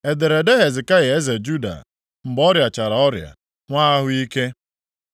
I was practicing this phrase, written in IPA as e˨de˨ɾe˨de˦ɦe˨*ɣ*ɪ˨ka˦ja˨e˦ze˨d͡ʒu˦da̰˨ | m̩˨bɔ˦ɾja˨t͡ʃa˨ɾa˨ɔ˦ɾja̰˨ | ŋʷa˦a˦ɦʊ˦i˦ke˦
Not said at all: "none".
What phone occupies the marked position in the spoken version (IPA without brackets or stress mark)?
z